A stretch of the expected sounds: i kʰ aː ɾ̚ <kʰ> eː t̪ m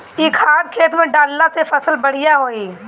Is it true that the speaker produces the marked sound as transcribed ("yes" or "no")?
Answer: yes